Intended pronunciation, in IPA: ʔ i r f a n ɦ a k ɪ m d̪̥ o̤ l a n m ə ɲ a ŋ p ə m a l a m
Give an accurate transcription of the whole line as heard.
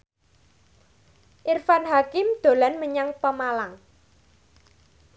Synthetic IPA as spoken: ʔ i r f a n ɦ a k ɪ m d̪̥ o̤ l a n m ə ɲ a ŋ p ə m a l a ŋ